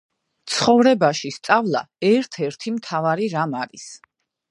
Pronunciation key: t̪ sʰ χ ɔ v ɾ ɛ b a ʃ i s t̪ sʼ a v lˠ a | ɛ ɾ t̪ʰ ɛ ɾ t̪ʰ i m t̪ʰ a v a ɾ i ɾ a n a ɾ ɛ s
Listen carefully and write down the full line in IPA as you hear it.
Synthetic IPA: t̪ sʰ χ ɔ v ɾ ɛ b a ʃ i s t̪ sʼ a v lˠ a | ɛ ɾ t̪ʰ ɛ ɾ t̪ʰ i m t̪ʰ a v a ɾ i ɾ a m a ɾ i s